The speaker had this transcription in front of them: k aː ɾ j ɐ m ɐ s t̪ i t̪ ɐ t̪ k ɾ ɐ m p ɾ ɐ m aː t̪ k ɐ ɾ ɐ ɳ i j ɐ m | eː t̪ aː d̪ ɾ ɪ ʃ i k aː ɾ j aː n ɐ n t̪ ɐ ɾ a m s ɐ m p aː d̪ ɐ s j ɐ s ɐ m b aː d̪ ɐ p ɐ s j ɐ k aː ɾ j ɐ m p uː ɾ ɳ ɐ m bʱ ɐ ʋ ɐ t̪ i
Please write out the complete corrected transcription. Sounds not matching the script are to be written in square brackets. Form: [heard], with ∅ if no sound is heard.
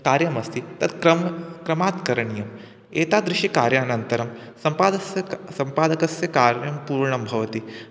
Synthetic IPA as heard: k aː ɾ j ɐ m ɐ s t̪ i t̪ ɐ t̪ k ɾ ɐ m [k] ɾ ɐ m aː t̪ k ɐ ɾ ɐ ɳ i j ɐ m | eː t̪ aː d̪ ɾ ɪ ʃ i k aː ɾ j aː n ɐ n t̪ ɐ ɾ [ɐ] m s ɐ m p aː d̪ ɐ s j ɐ s ɐ m [p] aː d̪ ɐ [k] ɐ s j ɐ k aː ɾ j ɐ m p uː ɾ ɳ ɐ m bʱ ɐ ʋ ɐ t̪ i